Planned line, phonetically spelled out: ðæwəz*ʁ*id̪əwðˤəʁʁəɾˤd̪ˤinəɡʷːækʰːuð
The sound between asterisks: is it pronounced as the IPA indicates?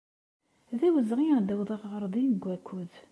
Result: yes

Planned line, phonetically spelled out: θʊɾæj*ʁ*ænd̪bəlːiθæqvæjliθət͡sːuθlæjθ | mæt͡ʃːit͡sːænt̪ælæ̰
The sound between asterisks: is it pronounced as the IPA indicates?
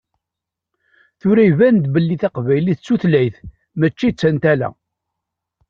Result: no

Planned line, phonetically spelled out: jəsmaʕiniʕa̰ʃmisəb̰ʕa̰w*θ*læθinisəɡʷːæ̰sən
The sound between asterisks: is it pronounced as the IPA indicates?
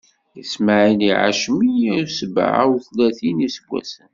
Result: yes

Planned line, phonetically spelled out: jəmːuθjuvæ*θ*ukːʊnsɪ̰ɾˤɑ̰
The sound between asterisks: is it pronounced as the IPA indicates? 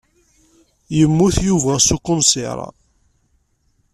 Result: no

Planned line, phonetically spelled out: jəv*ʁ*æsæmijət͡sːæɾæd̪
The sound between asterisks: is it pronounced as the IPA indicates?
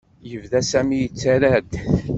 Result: no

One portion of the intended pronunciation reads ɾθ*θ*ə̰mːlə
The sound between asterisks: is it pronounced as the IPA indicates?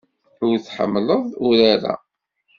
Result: no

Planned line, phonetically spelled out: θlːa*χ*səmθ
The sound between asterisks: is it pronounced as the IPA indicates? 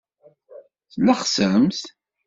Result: yes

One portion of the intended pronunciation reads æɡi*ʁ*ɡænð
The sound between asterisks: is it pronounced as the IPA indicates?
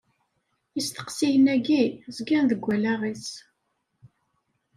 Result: no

